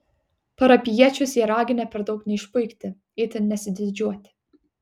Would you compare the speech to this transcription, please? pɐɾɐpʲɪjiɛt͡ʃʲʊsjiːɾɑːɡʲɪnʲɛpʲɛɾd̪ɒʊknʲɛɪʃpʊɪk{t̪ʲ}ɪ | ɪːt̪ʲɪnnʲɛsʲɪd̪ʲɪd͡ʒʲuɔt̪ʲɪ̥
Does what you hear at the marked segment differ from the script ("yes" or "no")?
no